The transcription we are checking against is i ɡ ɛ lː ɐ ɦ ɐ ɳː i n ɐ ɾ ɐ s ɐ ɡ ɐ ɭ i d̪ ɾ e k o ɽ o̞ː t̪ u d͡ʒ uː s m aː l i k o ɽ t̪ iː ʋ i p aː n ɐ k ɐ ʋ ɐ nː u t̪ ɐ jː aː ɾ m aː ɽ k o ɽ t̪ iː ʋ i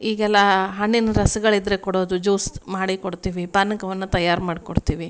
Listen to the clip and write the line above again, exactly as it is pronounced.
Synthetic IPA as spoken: iː ɡ ɛ lː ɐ ɦ ɐ ɳː i n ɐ ɾ ɐ s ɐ ɡ ɐ ɭ i d̪ ɾ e k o ɽ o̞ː d̪ u d͡ʒ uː s m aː ɽ i k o ɽ t̪ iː ʋ i p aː n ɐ k ɐ ʋ ɐ nː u t̪ ɐ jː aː ɾ m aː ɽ k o ɽ t̪ iː ʋ i

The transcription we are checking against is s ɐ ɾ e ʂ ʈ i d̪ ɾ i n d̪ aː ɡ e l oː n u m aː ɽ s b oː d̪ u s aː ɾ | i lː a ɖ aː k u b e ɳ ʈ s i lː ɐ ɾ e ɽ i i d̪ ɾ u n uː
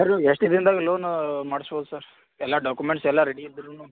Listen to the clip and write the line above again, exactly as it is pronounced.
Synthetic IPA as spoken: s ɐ ɾ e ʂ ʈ i d̪ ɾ i n d̪ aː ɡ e l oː n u m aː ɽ s b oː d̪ u s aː ɾ | ɛ lː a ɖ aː k u m e ɳ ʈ s ɛ lː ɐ ɾ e ɽ i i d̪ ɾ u n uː

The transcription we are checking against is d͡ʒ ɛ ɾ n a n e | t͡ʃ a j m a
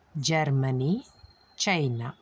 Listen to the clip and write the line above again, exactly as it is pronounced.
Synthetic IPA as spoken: d͡ʒ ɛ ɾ m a n i | t͡ʃ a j n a

